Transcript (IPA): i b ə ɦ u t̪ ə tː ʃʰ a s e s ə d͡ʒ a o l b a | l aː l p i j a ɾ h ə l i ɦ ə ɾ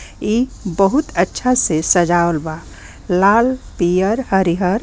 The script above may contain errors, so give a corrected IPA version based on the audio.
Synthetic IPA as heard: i b ə ɦ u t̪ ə tː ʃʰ a s e s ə d͡ʒ a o l b a | l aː l p i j ə ɾ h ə ɾ i ɦ ə ɾ